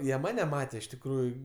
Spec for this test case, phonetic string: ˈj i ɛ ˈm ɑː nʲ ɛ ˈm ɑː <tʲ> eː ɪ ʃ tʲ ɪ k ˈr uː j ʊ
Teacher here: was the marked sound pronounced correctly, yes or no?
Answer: yes